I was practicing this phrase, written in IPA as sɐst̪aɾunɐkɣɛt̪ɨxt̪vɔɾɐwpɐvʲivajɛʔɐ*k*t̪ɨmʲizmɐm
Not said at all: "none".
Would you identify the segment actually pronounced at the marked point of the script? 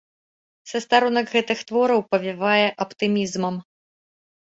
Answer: p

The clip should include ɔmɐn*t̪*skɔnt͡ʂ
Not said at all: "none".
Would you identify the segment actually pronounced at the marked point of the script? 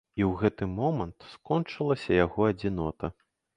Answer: t̪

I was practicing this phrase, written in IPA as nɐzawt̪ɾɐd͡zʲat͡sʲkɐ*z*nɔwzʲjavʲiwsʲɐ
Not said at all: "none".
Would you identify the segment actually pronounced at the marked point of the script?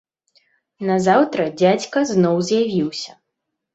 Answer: z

